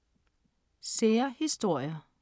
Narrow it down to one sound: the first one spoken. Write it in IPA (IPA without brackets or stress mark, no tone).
s